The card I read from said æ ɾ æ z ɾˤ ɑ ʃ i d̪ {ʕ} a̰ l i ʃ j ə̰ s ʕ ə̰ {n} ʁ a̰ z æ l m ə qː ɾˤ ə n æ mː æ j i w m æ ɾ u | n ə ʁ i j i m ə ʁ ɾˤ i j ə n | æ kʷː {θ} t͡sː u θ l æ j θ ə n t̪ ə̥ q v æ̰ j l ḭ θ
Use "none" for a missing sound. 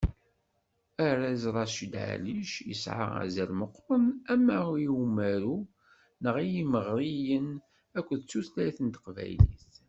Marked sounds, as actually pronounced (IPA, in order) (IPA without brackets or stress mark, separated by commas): ʕ, none, ð